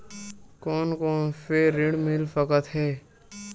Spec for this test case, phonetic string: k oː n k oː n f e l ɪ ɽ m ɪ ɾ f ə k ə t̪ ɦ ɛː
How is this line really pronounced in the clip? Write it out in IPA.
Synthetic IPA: k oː n k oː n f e ɾ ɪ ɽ m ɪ l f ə k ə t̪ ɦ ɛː